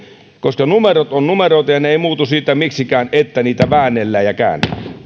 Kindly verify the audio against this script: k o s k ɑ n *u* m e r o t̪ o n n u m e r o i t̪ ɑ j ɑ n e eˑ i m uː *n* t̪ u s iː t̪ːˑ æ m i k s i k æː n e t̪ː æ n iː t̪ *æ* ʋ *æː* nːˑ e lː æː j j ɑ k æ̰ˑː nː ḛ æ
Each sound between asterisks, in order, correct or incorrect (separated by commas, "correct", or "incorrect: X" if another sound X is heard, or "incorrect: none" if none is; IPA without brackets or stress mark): correct, incorrect: none, correct, correct